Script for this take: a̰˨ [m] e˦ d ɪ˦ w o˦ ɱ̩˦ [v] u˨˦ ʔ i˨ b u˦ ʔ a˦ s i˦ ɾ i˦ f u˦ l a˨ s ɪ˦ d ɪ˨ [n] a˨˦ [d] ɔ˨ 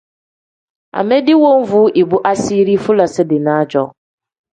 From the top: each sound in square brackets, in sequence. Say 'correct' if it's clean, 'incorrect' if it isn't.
correct, correct, correct, incorrect

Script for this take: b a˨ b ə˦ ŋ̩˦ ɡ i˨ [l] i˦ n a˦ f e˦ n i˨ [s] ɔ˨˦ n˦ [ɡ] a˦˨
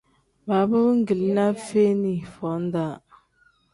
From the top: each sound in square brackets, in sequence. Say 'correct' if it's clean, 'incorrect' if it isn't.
correct, incorrect, incorrect

